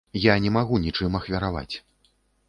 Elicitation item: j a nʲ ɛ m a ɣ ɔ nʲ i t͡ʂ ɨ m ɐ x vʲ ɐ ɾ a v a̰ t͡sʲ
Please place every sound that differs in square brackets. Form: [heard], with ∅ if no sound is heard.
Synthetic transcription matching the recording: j a nʲ ɛ m a ɣ [u] nʲ i t͡ʂ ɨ m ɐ x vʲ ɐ ɾ a v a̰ t͡sʲ